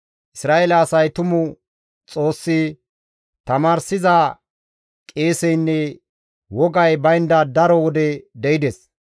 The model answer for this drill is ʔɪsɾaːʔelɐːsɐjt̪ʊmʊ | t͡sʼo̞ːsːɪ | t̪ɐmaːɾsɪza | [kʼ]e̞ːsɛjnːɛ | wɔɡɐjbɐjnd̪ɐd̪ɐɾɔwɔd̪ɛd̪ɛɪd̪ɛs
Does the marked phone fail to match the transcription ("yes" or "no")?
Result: no